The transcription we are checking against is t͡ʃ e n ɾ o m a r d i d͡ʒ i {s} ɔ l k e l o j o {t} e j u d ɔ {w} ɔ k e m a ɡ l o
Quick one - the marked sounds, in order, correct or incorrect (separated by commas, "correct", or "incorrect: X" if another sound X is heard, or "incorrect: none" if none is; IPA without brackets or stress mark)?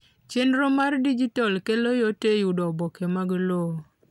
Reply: incorrect: t, correct, incorrect: b